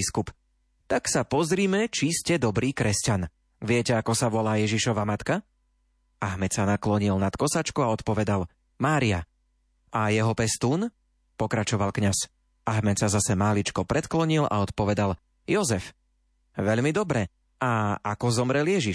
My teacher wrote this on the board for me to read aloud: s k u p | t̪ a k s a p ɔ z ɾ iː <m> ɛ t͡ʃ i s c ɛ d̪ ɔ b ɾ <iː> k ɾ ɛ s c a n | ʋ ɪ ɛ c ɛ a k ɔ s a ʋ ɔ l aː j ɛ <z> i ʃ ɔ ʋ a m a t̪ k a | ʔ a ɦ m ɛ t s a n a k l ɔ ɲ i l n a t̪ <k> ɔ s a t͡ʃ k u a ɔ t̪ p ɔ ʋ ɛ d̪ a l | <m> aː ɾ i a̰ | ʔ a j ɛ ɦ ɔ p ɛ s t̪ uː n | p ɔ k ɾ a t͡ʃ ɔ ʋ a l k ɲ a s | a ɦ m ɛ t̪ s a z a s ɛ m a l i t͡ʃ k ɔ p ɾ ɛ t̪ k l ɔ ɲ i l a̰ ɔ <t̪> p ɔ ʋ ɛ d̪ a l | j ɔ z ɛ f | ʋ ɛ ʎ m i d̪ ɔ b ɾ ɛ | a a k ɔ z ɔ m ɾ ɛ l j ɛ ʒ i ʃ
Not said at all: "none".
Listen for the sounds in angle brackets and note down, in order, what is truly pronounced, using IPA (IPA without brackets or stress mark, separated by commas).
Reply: m, iː, ʒ, k, m, t̪